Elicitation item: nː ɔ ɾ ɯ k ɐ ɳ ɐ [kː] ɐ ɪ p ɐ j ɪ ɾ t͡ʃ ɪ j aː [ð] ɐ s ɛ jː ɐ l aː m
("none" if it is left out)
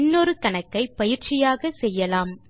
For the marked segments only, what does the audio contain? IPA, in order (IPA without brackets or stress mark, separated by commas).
kː, ɣ